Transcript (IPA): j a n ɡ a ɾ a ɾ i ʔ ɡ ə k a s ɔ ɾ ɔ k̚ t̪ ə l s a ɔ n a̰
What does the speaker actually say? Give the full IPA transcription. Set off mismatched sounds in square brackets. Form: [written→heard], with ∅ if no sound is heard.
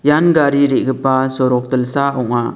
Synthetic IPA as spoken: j a n ɡ a ɾ [a→i] ɾ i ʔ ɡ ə [k→p] a s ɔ ɾ ɔ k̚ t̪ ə l s a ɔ [n→ŋ] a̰

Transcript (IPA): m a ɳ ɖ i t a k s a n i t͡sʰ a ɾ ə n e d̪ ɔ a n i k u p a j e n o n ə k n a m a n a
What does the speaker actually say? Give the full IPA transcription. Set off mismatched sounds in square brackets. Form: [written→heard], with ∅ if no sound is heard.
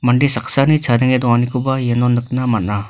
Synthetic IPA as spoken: m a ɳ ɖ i [t→s] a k s a n i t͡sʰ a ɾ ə [n→ŋ] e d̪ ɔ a n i k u [p→b] a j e n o n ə k n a m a n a

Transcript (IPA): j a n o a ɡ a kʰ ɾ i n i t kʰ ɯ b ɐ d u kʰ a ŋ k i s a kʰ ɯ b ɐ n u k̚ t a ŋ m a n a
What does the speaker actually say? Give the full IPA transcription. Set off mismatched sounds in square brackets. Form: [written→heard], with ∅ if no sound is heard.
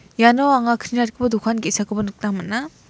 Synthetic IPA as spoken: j a n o a [ɡ→ŋ] a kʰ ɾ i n [i→a] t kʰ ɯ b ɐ d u kʰ a [ŋ→n] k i s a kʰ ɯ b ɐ n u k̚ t a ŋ m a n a

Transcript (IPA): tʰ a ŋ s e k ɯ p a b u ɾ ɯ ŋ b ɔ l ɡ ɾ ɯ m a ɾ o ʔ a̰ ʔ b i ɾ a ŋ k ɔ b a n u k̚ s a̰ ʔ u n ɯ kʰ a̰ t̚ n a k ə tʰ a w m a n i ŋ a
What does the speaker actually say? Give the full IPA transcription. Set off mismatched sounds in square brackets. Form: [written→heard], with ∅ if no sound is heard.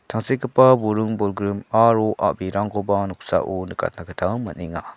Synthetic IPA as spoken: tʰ a ŋ s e k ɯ p a b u ɾ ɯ ŋ b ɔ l ɡ ɾ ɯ m a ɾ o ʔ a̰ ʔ b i ɾ a ŋ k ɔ b a n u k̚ s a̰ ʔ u n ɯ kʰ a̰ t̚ n a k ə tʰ a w m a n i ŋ a

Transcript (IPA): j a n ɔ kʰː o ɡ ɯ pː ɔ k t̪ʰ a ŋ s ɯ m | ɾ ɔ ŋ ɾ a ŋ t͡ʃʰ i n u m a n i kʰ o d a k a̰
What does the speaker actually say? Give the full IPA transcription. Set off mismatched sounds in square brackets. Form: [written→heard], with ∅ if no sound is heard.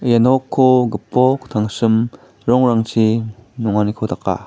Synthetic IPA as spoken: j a n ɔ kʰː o ɡ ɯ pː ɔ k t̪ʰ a ŋ s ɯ m | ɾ ɔ ŋ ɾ a ŋ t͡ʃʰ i n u [m→ŋ] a n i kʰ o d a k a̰

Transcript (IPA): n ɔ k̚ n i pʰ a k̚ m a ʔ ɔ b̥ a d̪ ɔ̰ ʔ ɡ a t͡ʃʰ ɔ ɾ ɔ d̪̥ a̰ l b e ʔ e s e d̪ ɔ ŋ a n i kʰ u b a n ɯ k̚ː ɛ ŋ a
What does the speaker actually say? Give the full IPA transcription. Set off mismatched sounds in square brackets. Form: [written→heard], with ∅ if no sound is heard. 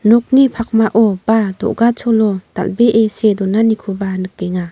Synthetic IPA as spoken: n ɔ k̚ n i pʰ a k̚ m a ʔ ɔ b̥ a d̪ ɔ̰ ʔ ɡ a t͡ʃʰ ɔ [ɾ→l] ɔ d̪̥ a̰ l b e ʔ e s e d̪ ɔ [ŋ→n] a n i kʰ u b a n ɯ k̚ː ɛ ŋ a

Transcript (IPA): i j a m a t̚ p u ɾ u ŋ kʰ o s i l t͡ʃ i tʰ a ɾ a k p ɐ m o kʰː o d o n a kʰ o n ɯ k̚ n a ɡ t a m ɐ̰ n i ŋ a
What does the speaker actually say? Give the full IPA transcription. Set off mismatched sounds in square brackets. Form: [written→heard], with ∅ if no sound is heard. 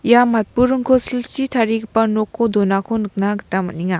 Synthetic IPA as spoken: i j a m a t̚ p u ɾ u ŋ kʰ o s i l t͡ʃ i tʰ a ɾ [a→i] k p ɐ [m→n] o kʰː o d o n a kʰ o n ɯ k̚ n a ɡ t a m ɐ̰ n i ŋ a

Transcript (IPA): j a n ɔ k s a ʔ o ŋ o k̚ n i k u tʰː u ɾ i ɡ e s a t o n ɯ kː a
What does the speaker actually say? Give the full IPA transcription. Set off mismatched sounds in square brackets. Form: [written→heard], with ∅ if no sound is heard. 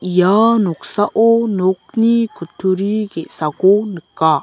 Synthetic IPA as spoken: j a n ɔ k s a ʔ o [ŋ→n] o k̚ n i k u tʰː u ɾ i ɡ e s a [t→k] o n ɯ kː a

